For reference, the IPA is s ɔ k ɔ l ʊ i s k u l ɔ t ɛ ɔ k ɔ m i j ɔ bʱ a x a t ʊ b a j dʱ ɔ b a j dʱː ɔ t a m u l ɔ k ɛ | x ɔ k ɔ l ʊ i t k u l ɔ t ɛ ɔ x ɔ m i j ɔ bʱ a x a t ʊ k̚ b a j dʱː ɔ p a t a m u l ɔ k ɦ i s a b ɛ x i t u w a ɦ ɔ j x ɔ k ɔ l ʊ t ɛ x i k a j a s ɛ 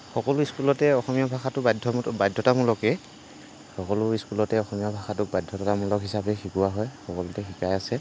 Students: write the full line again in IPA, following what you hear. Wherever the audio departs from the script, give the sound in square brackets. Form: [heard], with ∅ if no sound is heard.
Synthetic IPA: [x] ɔ k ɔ l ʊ i s k u l ɔ t ɛ ɔ [x] ɔ m i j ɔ bʱ a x a t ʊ b a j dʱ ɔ b a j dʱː ɔ t a m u l ɔ k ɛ | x ɔ k ɔ l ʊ i [s] k u l ɔ t ɛ ɔ x ɔ m i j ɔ bʱ a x a t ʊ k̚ b a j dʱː ɔ [t] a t a m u l ɔ k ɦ i s a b ɛ x i [k] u w a ɦ ɔ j x ɔ k ɔ l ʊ t ɛ x i k a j a s ɛ